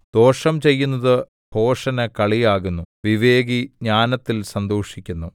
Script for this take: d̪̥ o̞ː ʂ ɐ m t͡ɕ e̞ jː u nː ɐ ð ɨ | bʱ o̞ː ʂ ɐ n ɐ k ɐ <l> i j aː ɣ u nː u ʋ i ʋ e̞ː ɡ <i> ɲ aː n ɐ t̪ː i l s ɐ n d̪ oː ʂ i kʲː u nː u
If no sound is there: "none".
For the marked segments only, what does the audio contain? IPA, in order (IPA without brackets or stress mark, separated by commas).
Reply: ɭ, i